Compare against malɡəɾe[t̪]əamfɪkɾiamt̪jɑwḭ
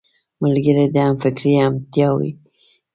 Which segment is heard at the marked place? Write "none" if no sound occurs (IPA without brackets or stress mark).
d̪